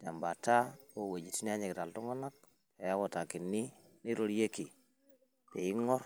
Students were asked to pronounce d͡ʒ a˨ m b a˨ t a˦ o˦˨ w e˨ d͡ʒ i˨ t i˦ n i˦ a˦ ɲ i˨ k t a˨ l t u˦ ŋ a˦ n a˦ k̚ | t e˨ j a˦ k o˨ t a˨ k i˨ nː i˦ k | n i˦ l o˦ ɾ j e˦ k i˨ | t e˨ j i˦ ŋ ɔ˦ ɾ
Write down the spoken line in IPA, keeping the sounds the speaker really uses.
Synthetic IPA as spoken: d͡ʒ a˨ m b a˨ t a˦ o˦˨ w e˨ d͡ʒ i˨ t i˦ n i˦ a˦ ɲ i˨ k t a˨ l t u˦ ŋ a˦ n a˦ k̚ | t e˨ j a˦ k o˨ t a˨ k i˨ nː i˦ | n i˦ ɾ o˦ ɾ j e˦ k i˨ | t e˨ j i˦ ŋ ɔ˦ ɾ

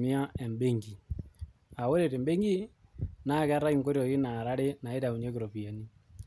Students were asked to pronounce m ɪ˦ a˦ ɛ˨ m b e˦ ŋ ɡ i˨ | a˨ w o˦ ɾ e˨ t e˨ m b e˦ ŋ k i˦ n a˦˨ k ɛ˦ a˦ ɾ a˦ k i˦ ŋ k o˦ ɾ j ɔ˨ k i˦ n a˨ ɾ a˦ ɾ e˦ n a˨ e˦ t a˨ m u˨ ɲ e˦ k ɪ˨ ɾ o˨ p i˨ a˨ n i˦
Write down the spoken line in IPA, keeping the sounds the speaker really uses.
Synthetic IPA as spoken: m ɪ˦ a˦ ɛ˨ m b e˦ ŋ ɡ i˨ | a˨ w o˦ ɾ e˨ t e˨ m b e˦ ŋ ɡ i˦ n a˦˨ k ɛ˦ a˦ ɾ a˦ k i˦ ŋ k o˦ ɾ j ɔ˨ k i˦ n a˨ ɾ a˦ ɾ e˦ n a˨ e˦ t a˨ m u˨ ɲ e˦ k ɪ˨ ɾ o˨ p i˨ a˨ n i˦

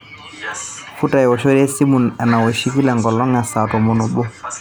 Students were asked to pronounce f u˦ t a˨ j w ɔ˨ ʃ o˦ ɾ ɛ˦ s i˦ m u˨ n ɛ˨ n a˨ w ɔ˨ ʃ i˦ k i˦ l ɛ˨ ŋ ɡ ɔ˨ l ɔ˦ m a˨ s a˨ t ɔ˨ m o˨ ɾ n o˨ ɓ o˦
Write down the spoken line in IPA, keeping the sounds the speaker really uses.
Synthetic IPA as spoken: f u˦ t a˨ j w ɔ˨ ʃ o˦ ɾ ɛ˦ s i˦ m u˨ n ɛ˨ n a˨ w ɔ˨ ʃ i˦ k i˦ l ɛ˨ ŋ ɡ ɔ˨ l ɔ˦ ŋ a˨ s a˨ t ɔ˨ m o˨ n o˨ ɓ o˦

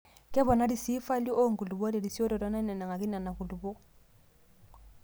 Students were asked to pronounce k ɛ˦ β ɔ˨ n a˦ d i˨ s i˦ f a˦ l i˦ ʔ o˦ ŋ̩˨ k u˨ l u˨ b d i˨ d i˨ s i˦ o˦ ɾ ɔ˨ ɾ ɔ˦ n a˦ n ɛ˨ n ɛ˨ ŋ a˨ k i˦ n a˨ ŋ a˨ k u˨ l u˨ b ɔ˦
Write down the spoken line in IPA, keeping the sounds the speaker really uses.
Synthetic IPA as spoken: k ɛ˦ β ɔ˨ n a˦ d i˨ s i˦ f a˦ l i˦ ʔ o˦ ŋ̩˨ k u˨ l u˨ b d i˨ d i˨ s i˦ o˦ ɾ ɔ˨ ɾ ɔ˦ n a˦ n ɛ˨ n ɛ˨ ŋ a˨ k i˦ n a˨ n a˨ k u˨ l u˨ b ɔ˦

